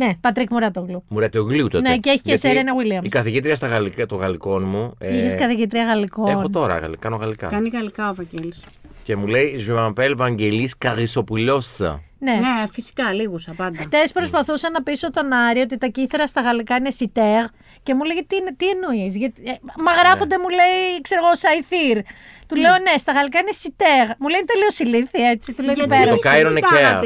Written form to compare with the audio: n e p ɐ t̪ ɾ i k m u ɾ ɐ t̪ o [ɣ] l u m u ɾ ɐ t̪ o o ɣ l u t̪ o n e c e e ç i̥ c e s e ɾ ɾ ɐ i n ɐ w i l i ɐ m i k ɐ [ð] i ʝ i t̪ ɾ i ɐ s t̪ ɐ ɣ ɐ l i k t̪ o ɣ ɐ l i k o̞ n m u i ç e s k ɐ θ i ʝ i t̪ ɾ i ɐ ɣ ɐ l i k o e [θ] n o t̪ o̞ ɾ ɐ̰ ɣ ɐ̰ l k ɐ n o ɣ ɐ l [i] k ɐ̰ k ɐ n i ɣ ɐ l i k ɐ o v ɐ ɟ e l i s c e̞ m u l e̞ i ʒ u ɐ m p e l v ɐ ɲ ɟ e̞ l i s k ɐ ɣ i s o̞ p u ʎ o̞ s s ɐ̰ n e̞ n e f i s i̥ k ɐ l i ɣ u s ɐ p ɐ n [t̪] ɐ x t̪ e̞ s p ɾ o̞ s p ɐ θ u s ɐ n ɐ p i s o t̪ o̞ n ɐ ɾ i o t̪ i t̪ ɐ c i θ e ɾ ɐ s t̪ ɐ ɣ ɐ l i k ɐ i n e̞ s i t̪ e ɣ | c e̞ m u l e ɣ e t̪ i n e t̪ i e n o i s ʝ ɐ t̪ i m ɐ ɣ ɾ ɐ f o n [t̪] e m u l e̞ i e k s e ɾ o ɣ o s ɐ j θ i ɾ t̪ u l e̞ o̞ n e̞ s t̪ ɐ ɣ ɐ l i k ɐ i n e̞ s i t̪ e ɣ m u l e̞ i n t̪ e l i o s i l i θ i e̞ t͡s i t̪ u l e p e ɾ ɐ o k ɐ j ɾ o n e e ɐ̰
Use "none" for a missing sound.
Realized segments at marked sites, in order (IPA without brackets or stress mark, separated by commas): ɣ, θ, x, i, d̪, d̪